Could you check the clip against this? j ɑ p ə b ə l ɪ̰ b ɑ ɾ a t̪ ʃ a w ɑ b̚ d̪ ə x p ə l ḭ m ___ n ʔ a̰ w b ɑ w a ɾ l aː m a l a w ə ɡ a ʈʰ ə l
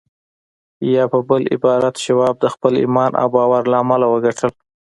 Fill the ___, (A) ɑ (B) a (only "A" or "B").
A